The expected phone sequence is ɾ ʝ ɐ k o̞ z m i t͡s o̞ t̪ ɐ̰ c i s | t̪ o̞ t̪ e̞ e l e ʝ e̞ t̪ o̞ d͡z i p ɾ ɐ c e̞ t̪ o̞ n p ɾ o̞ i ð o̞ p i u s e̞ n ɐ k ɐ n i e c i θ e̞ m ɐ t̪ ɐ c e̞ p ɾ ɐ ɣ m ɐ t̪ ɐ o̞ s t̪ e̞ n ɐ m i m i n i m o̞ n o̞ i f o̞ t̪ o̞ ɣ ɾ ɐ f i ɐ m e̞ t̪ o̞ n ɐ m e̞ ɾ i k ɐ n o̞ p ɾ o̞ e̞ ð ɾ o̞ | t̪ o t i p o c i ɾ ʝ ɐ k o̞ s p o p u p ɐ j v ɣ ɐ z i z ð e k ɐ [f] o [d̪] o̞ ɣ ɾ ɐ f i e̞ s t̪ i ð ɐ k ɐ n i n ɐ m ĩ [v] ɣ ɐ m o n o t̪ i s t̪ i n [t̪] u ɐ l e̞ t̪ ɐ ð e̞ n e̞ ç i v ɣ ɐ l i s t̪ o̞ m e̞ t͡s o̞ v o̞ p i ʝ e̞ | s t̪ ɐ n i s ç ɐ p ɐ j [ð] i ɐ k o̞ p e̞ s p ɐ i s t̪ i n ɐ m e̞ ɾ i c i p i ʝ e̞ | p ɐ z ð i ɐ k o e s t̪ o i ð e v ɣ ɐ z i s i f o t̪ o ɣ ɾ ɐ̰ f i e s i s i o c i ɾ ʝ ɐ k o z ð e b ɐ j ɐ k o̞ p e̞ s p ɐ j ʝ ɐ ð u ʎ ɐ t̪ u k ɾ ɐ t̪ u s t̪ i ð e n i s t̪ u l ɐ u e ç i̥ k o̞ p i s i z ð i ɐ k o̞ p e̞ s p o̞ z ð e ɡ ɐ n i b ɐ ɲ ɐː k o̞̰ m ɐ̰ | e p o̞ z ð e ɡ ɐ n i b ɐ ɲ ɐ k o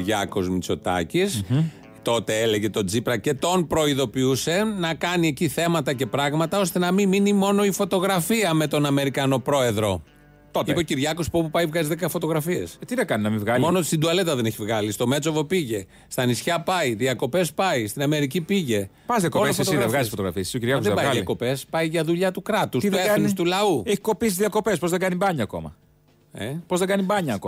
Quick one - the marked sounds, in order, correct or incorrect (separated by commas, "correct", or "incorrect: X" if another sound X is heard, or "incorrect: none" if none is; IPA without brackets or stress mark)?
correct, incorrect: t̪, correct, incorrect: d̪, correct